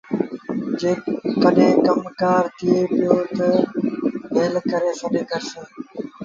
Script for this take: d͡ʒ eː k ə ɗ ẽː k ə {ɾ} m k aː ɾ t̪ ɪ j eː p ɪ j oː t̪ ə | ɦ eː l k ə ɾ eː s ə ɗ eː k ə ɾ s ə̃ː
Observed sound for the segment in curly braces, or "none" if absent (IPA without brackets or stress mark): none